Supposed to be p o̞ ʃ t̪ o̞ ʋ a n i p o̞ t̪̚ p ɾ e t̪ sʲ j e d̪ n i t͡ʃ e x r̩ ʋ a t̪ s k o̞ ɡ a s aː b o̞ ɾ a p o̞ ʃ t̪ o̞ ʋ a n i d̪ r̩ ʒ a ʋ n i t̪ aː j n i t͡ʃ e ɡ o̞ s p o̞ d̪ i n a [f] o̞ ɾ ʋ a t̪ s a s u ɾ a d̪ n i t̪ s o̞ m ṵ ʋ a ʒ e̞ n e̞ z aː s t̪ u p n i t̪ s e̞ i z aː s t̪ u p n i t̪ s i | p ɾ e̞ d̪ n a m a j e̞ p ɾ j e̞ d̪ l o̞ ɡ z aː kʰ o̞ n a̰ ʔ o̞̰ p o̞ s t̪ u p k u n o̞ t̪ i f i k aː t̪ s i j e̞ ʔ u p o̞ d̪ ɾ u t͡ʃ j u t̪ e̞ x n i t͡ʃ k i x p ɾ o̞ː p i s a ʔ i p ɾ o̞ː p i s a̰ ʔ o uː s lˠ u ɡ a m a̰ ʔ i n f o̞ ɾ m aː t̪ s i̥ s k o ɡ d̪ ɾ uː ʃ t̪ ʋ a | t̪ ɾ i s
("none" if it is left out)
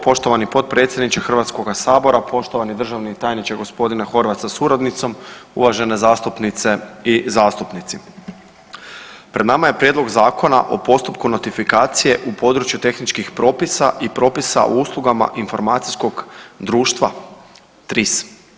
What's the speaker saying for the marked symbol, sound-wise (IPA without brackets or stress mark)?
x